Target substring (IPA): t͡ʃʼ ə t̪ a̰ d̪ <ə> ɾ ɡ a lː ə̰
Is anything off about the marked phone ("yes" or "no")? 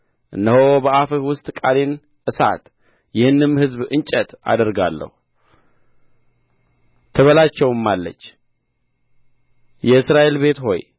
no